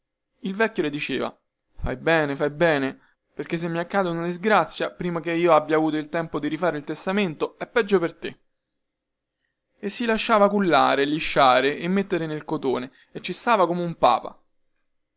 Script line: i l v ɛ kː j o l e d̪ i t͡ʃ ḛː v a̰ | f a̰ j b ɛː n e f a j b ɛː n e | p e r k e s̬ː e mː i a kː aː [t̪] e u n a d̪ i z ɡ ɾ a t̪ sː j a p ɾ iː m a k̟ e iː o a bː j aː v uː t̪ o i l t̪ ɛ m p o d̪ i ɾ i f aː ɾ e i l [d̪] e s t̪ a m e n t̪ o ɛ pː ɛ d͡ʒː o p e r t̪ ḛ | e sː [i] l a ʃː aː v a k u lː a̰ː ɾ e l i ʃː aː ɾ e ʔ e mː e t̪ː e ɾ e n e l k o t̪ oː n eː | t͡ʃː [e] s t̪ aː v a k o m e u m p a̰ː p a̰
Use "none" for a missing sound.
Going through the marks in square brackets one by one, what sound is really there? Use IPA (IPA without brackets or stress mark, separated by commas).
d̪, t̪, i, i